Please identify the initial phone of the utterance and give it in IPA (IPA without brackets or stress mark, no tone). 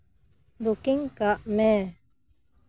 b